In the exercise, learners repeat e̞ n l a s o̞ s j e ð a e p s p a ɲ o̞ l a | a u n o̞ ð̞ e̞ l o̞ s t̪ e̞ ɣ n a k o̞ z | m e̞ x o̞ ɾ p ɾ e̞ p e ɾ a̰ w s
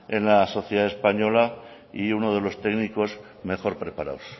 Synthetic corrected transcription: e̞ n l a s o̞ θ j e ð a e s p a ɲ o̞ l a | i u n o̞ ð̞ e̞ l o̞ s t̪ e̞ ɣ n i k o̞ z | m e̞ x o̞ ɾ p ɾ e̞ p a ɾ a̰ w s